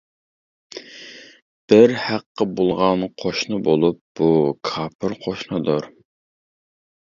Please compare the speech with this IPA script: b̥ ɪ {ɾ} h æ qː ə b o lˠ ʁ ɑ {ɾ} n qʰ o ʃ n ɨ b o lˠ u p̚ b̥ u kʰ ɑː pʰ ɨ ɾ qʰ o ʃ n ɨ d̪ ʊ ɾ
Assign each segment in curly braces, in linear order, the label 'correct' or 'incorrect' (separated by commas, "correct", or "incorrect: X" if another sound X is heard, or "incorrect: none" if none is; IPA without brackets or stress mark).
correct, incorrect: none